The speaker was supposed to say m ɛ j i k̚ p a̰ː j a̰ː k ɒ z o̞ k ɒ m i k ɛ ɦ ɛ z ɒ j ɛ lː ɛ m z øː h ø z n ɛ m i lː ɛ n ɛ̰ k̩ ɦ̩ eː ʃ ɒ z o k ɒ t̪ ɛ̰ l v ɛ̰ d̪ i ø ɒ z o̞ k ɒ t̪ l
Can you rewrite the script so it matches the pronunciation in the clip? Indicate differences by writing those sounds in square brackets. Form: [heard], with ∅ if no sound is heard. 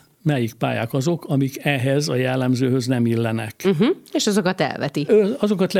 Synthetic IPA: m ɛ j i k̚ p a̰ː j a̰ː k ɒ z o̞ k ɒ m i k ɛ ɦ ɛ z ɒ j ɛ lː ɛ m z øː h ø z n ɛ m i lː ɛ n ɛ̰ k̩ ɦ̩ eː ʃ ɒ z o k ɒ t̪ ɛ̰ l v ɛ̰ [t̪] i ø ɒ z o̞ k ɒ t̪ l